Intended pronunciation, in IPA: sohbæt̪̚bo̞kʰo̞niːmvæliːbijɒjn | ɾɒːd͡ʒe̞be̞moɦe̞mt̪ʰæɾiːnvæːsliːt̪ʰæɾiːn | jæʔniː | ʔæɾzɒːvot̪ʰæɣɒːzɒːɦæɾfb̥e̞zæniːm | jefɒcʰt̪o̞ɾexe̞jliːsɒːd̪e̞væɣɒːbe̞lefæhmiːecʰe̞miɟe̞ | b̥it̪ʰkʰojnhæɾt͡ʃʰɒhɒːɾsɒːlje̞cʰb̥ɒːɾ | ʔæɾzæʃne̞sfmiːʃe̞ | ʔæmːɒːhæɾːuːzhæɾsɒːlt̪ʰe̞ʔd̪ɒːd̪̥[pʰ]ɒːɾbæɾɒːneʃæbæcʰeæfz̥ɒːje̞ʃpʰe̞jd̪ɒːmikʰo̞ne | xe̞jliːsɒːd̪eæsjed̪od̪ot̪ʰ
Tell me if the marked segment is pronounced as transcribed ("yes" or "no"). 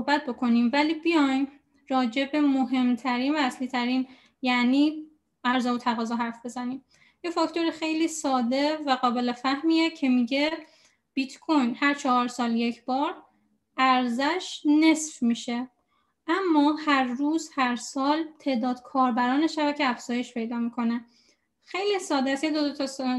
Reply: no